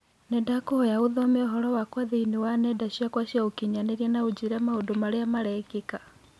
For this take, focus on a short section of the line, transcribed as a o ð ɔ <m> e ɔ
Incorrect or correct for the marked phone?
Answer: correct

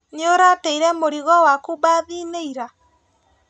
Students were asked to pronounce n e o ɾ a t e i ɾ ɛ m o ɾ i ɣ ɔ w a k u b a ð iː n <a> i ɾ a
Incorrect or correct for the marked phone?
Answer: incorrect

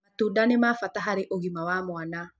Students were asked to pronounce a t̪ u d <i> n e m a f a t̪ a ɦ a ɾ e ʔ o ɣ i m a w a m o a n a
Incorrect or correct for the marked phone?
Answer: incorrect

